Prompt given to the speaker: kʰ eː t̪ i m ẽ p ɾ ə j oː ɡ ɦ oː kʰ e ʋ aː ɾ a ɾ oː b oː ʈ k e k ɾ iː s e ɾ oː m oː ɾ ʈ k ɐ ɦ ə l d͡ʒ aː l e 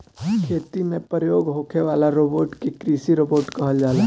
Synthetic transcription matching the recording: kʰ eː t̪ i m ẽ p ɾ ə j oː ɡ ɦ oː kʰ e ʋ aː l a ɾ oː b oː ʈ k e k ɾ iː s i ɾ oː b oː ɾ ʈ k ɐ ɦ ə l d͡ʒ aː l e